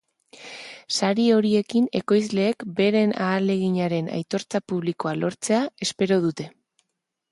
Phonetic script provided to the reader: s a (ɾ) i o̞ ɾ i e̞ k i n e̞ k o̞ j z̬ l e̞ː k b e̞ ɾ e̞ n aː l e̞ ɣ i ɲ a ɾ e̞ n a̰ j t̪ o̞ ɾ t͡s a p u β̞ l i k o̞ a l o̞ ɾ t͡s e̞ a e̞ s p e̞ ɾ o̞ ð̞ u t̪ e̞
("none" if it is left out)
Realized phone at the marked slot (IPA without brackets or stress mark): ɾ